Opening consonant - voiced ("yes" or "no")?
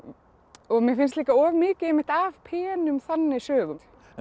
yes